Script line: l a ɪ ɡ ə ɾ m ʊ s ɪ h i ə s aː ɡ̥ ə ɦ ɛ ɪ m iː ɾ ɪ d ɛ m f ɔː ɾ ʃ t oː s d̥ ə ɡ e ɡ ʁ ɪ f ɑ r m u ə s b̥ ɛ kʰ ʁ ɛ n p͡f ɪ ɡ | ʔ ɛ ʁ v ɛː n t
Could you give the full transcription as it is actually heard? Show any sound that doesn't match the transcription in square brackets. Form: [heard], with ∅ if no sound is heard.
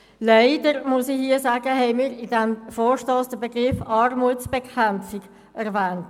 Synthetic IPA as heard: l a ɪ [d] ə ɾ m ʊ s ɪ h i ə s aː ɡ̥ ə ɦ ɛ ɪ m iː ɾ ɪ d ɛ m f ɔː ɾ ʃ t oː s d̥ ə [b] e ɡ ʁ ɪ f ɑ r m u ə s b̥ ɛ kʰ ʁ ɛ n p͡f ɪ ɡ | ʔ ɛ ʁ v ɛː n t